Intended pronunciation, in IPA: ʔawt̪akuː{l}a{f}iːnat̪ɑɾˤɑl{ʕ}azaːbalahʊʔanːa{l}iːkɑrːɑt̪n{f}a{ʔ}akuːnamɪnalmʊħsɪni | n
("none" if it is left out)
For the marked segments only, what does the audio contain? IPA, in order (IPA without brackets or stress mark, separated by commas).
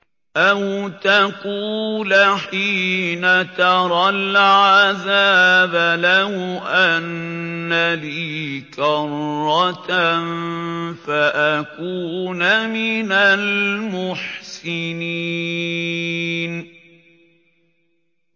l, ħ, ʕ, l, f, ʔ